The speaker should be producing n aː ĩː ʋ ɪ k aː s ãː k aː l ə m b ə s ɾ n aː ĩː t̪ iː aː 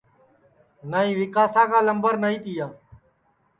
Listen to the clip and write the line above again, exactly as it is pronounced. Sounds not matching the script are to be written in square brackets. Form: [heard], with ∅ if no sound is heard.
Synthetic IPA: n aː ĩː ʋ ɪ k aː s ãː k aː l ə m b ə [∅] ɾ n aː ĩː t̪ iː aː

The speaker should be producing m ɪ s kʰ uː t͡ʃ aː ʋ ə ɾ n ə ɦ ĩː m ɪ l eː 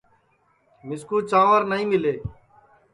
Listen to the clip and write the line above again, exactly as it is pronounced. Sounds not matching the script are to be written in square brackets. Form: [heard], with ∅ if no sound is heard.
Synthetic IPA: m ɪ s [k] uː t͡ʃ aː ʋ ə ɾ n ə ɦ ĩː m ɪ l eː

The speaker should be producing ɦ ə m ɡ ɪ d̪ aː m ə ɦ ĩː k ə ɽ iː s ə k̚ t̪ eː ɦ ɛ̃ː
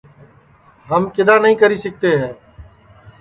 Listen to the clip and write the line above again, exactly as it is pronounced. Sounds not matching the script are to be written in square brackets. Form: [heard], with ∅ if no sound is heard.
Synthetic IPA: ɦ ə m [k] ɪ d̪ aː [n] ə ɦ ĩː k ə [ɾ] iː s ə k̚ t̪ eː ɦ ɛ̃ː

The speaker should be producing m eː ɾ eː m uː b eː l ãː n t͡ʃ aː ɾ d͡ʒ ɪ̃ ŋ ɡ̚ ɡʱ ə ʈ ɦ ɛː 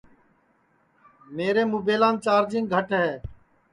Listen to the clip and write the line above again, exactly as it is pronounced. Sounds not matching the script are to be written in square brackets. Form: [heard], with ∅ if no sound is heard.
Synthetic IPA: m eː ɾ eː m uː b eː l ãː n t͡ʃ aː ɾ d͡ʒ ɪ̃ ŋ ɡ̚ ɡʱ ə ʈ ɦ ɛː

